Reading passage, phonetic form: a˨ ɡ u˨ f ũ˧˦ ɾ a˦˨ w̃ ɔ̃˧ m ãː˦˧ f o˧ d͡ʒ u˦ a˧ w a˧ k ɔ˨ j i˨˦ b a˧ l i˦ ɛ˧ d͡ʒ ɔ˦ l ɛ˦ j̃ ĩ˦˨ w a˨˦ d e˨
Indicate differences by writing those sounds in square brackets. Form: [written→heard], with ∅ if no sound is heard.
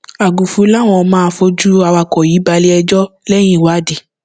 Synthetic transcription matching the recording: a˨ ɡ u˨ f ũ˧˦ [ɾ→l] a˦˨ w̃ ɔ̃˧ m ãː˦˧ f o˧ d͡ʒ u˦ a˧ w a˧ k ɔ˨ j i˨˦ b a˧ l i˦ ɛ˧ d͡ʒ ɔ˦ l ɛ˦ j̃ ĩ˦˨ w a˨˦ d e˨

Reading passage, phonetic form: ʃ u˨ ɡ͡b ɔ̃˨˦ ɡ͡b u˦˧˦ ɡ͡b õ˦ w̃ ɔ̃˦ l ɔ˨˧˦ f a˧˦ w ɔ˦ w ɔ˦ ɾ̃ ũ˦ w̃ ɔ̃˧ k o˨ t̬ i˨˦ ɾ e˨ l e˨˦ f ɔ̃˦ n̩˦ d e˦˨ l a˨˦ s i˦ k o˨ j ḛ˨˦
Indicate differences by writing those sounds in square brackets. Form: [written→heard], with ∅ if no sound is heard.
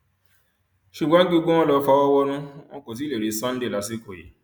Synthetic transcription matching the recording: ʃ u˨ ɡ͡b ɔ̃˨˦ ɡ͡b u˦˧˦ ɡ͡b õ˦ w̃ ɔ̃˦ l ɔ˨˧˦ f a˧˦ w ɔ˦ w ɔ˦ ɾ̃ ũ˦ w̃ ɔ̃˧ k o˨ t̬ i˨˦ [ɾ→l] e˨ [l→ɾ] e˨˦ [f→s] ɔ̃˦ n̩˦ d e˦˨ l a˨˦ s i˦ k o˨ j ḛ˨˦

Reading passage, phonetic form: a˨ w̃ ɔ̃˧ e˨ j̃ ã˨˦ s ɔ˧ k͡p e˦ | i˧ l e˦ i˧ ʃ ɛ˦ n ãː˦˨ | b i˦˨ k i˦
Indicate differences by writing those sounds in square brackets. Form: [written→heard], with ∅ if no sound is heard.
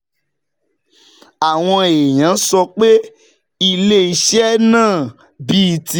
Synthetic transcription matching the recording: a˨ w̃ ɔ̃˧ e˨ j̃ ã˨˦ s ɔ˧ k͡p e˦ | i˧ l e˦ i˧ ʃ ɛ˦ n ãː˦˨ | b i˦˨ [k→t] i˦

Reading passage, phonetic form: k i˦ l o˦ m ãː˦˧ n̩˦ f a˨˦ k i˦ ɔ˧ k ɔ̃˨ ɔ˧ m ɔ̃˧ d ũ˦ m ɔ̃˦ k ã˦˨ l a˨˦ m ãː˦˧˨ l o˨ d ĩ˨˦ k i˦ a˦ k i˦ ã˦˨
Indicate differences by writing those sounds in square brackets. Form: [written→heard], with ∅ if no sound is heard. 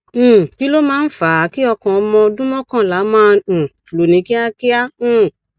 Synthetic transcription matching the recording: k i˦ l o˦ m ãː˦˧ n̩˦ f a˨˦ k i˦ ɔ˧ k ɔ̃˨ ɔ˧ m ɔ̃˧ d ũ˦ m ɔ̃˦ k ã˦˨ l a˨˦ m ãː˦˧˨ l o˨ [d→n] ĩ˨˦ k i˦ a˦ k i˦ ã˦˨

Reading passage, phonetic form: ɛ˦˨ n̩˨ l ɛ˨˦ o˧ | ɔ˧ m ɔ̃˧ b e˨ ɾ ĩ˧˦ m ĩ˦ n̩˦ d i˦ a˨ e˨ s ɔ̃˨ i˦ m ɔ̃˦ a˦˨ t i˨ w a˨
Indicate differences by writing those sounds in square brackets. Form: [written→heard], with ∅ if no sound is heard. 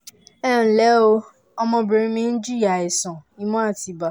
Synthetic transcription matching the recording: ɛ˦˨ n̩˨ l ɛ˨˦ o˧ | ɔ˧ m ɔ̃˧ b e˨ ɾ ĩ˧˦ m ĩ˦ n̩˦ [d→d͡ʒ] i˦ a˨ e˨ s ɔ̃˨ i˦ m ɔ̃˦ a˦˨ t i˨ [w→b] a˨

